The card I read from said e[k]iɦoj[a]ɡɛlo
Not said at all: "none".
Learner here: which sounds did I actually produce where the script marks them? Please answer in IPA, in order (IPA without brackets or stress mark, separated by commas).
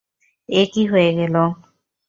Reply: k, e